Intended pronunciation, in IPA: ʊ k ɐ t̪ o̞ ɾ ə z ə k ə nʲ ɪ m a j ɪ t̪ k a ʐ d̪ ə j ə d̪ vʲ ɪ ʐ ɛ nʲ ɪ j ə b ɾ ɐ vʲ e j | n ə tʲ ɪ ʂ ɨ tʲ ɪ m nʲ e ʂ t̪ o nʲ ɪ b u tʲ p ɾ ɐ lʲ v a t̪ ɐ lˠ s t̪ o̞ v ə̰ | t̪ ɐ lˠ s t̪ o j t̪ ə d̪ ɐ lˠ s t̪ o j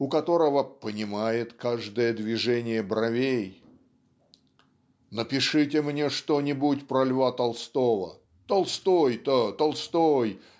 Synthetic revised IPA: ʊ k ɐ t̪ o̞ ɾ ə v ə p ə nʲ ɪ m a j ɪ t̪ k a ʐ d̪ ə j ə d̪ vʲ ɪ ʐ ɛ nʲ ɪ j ə b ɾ ɐ vʲ e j | n ə pʲ ɪ ʂ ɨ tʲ ɪ m nʲ e ʂ t̪ o nʲ ɪ b u tʲ p ɾ ɐ lʲ v a t̪ ɐ lˠ s t̪ o̞ v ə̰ | t̪ ɐ lˠ s t̪ o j t̪ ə t̪ ɐ lˠ s t̪ o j

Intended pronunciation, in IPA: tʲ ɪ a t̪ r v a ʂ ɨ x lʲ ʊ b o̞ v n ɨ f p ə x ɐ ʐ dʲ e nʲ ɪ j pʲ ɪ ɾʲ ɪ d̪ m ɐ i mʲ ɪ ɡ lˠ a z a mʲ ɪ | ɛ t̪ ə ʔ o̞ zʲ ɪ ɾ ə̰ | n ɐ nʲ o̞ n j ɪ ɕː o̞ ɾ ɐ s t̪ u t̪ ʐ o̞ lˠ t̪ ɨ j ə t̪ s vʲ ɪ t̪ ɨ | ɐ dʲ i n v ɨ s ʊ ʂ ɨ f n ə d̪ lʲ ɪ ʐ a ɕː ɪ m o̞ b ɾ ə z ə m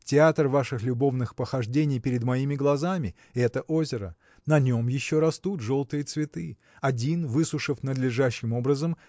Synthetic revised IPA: tʲ ɪ a t̪ r v a ʂ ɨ x lʲ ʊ b o̞ v n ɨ x p ə x ɐ ʐ dʲ e nʲ ɪ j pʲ ɪ ɾʲ ɪ d̪ m ɐ i mʲ ɪ ɡ lˠ ɐ z a mʲ ɪ | ɛ t̪ ə ʔ o̞ zʲ ɪ ɾ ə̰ | n ɐ nʲ o̞ m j ɪ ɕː o̞ ɾ ɐ s t̪ u t̪ ʐ o̞ lˠ t̪ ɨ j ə t̪ s vʲ ɪ t̪ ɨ | ɐ dʲ i n v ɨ s ʊ ʂ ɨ f n ə d̪ lʲ ɪ ʐ a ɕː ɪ m o̞ b ɾ ə z ə m

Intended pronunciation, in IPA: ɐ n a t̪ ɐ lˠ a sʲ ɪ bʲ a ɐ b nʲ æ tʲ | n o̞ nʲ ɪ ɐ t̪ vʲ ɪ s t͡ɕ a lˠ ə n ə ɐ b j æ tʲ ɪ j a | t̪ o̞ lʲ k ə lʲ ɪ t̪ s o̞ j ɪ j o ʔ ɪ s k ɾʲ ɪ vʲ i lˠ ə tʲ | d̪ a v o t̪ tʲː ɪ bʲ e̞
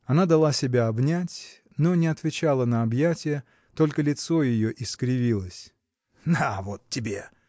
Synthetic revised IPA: ɐ n a d̪ ɐ lˠ a sʲ ɪ bʲ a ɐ b nʲ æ tʲ | n o̞ nʲ ɪ ɐ t̪ vʲ ɪ t͡ɕ a lˠ ə n ə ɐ b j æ tʲ ɪ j ə | t̪ o̞ lʲ k ə lʲ ɪ t̪ s o̞ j ɪ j o ʔ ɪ s k ɾʲ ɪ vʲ i lˠ ə sʲ | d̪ a v o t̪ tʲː ɪ bʲ e̞

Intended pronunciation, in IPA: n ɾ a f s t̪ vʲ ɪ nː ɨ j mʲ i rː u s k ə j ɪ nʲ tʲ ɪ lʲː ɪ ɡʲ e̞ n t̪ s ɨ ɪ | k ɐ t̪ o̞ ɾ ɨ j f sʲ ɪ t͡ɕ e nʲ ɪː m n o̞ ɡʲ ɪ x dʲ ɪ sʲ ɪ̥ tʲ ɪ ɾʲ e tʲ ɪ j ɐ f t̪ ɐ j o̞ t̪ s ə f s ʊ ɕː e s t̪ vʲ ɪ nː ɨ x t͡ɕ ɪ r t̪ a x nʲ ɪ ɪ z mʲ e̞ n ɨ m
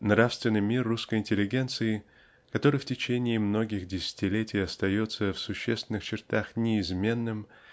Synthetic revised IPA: n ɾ a f s t̪ vʲ ɪ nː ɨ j mʲ i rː u s k ə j ɪ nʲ tʲ ɪ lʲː ɪ ɡʲ e̞ n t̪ s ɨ ɪ | k ɐ t̪ o̞ ɾ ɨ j f tʲ ɪ t͡ɕ e nʲ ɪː m n o̞ ɡʲ ɪ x dʲ ɪ sʲ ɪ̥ tʲ ɪ lʲ e tʲ ɪ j ɐ s t̪ ɐ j o̞ t̪ s ə f s ʊ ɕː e s t̪ vʲ ɪ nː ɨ x t͡ɕ ɪ r t̪ a x nʲ ɪ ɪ z mʲ e̞ nː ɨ m

